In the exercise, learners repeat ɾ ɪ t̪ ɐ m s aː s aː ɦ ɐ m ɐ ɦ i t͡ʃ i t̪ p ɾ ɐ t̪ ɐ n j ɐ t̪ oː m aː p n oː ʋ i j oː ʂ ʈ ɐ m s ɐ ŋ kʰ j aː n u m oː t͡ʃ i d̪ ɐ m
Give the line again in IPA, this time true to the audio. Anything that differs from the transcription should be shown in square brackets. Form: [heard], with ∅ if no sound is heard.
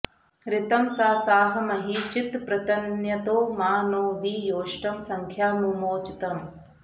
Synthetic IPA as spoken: ɾ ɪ t̪ ɐ m s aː s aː ɦ ɐ m ɐ ɦ i t͡ʃ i t̪ p ɾ ɐ t̪ ɐ n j ɐ t̪ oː m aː [∅] n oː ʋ i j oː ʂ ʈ ɐ m s ɐ ŋ kʰ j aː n u m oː t͡ʃ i [t̪] ɐ m